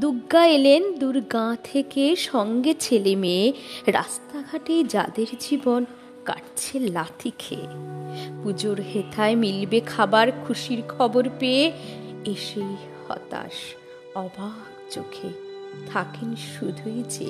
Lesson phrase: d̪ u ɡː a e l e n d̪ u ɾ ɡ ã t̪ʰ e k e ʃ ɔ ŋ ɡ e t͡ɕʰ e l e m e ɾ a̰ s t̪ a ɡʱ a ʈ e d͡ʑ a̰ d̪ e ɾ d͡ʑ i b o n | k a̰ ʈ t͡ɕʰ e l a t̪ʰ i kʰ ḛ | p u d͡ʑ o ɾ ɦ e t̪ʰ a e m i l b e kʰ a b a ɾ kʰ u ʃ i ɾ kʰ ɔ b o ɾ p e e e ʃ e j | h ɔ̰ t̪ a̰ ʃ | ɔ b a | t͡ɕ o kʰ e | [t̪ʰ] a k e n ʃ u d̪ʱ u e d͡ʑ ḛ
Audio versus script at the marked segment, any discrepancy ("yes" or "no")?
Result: no